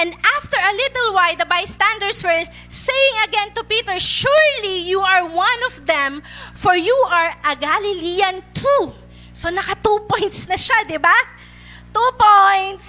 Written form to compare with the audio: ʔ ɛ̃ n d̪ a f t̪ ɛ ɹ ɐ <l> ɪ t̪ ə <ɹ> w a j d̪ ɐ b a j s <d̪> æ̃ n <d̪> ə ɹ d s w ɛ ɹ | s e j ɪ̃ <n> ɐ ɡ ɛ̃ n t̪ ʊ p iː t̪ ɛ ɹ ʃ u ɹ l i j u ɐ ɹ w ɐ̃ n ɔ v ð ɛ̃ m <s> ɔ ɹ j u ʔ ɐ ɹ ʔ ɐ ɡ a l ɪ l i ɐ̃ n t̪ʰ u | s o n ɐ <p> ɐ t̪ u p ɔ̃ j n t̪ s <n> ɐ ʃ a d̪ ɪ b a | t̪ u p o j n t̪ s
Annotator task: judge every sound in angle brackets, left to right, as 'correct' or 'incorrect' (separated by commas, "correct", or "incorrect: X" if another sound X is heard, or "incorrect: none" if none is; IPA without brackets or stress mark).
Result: correct, incorrect: l, incorrect: t̪, correct, incorrect: ŋ, incorrect: f, incorrect: k, correct